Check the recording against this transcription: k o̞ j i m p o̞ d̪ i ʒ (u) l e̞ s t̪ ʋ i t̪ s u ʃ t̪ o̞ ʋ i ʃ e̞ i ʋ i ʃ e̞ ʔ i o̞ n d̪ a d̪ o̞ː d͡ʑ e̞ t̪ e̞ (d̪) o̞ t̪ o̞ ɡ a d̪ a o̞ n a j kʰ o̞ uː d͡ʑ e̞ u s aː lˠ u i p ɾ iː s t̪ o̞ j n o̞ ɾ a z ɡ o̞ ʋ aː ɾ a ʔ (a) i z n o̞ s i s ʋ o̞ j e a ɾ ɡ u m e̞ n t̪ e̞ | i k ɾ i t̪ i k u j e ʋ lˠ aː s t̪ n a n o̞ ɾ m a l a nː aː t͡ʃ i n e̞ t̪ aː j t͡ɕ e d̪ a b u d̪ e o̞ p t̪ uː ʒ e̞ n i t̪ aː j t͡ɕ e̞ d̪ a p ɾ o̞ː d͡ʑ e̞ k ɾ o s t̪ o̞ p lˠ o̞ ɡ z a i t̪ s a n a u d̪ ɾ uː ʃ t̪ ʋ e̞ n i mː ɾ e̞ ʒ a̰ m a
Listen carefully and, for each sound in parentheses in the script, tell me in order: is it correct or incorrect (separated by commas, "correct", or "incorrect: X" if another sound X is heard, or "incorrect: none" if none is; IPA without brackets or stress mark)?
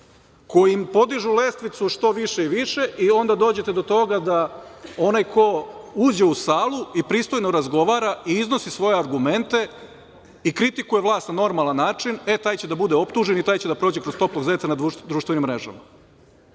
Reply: correct, correct, incorrect: i